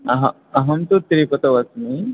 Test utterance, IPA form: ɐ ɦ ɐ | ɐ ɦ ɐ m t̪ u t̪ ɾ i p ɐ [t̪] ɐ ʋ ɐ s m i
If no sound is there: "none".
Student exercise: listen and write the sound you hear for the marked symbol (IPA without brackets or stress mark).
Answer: t̪